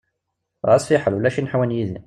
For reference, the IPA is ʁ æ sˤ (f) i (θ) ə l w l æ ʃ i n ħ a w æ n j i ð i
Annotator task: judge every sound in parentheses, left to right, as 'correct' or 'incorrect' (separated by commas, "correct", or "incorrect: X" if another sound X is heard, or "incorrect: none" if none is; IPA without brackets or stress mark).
correct, incorrect: ħ